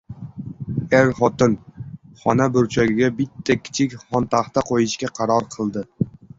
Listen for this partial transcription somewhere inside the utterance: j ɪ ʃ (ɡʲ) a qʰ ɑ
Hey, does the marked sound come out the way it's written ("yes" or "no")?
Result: no